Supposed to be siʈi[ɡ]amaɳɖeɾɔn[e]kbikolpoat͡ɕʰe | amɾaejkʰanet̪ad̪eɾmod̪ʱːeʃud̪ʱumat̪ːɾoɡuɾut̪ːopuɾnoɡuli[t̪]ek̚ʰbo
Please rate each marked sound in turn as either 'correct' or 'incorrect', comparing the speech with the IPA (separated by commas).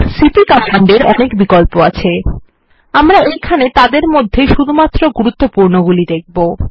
incorrect, correct, incorrect